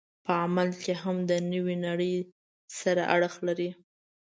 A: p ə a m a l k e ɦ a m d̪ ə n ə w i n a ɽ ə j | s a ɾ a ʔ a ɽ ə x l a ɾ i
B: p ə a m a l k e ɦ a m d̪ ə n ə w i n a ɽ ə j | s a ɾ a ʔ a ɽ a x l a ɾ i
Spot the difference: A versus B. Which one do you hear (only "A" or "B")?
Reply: A